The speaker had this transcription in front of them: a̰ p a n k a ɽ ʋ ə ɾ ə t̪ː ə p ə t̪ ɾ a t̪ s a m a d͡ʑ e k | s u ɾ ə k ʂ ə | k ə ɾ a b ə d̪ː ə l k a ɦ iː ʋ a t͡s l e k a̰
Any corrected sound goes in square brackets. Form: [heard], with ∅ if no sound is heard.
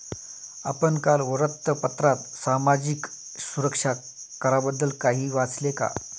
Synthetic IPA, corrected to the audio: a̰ p [ə] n k a [l] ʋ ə ɾ ə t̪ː ə p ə t̪ ɾ a t̪ s a m a d͡ʑ [i] k | s u ɾ ə k ʂ [a] | k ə ɾ a b ə d̪ː ə l k a ɦ iː ʋ a t͡s l e k a̰